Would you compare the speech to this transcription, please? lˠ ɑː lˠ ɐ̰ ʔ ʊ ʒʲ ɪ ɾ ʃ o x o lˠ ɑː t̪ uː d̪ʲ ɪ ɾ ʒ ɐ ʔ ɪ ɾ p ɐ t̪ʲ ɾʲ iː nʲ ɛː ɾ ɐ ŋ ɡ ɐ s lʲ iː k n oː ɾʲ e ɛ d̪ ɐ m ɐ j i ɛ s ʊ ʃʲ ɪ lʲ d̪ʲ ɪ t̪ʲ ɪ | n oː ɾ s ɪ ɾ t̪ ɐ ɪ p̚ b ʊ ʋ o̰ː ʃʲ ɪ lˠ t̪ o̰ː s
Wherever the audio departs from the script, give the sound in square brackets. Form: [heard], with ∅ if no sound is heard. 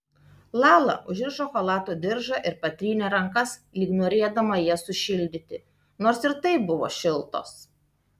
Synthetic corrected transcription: lˠ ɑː lˠ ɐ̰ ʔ ʊ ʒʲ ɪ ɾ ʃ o x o lˠ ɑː t̪ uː d̪ʲ ɪ ɾ ʒ ɐ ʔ ɪ ɾ p ɐ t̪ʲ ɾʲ iː nʲ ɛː ɾ ɐ ŋ [k] ɐ s lʲ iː k n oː ɾʲ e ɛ d̪ ɐ m ɐ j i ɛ s ʊ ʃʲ ɪ lʲ d̪ʲ ɪ t̪ʲ ɪ | n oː ɾ s ɪ ɾ t̪ ɐ ɪ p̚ b ʊ ʋ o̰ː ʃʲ ɪ lˠ t̪ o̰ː s